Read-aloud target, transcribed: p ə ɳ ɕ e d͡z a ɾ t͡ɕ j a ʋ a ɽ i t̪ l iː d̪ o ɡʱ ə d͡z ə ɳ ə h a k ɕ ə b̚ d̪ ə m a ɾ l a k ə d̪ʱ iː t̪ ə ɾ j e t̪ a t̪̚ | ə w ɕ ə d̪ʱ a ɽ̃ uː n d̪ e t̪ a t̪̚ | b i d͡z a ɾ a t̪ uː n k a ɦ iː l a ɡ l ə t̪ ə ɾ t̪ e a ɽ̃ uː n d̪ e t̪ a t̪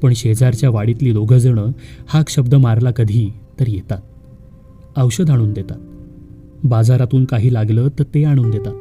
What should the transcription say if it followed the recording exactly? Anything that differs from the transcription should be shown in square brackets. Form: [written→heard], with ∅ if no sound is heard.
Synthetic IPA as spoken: p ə ɳ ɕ e d͡z a ɾ t͡ɕ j a ʋ a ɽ i t̪ l iː d̪ o ɡʱ ə d͡z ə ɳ ə h a k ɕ ə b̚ d̪ ə m a ɾ l a k ə d̪ʱ iː t̪ ə ɾ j e t̪ a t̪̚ | ə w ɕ ə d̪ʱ a ɽ̃ uː n d̪ e t̪ a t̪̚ | b [i→a] d͡z a ɾ a t̪ uː n k a ɦ iː l a ɡ l ə t̪ ə ɾ t̪ e a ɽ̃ uː n d̪ e t̪ a t̪